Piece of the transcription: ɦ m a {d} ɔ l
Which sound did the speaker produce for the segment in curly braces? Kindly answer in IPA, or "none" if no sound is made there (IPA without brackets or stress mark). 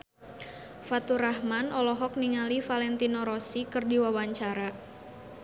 n